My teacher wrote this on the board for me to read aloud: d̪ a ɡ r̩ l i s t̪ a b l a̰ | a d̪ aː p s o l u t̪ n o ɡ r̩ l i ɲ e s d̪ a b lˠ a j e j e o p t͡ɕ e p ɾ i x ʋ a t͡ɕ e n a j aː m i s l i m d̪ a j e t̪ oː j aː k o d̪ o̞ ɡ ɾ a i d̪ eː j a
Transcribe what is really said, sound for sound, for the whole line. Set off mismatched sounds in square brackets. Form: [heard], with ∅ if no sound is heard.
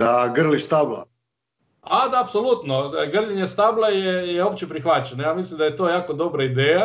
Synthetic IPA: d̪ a ɡ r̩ l i s t̪ a b l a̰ | a d̪ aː p s o l u t̪ n o ɡ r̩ l i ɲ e s [t̪] a b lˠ a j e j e o p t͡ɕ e p ɾ i x ʋ a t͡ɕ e n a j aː m i s l i m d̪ a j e t̪ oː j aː k o d̪ o̞ [b] ɾ a i d̪ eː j a